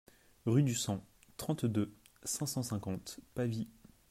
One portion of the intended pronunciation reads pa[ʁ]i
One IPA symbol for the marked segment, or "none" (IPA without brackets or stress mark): v